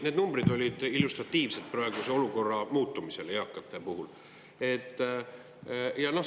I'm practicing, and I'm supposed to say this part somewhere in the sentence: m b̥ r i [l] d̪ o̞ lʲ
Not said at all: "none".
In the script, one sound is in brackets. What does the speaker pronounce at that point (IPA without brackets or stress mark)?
none